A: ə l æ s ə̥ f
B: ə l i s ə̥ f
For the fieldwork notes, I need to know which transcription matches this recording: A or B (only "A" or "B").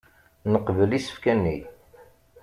B